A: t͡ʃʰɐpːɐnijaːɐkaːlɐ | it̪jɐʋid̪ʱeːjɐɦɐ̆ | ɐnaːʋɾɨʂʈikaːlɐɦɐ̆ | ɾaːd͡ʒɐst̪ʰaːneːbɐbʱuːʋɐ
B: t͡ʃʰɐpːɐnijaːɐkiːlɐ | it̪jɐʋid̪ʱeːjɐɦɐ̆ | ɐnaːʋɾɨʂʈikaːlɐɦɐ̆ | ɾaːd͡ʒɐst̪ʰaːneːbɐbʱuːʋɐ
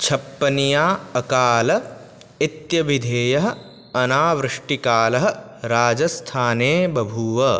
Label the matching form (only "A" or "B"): A